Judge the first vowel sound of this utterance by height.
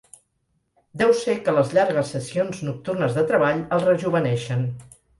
mid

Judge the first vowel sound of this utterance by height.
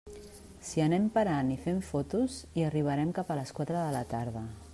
high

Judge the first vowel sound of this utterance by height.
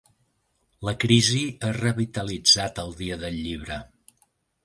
mid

